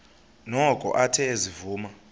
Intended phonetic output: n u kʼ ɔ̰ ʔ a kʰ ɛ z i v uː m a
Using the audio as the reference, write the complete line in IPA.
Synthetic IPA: n ɔ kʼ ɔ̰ ʔ a tʰ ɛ z i v uː m a